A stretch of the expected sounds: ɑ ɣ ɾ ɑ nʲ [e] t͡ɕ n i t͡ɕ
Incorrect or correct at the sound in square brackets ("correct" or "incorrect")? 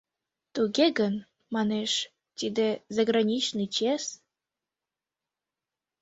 incorrect